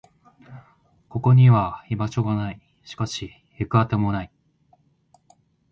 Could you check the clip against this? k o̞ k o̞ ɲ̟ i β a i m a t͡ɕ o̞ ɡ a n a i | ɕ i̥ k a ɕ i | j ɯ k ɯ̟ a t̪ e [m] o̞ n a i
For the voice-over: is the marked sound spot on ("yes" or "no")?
yes